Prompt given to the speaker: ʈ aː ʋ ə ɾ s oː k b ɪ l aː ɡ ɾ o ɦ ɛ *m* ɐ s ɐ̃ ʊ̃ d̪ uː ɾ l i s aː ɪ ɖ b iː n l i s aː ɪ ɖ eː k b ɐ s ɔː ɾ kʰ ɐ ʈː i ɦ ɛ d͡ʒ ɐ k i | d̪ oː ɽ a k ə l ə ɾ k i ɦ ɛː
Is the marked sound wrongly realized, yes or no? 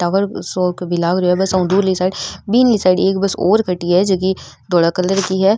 yes